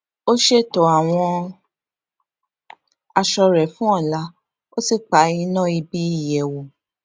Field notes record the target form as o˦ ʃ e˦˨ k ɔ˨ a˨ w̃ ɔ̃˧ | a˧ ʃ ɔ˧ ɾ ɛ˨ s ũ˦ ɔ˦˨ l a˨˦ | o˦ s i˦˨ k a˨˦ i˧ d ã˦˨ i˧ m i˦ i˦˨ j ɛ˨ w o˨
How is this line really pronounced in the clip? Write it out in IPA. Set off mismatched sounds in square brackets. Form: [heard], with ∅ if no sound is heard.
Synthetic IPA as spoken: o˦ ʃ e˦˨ [t] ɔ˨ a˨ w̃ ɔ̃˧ | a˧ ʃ ɔ˧ ɾ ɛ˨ [f] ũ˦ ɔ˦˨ l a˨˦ | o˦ s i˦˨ [k͡p] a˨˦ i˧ [n] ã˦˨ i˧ [b] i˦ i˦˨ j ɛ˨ w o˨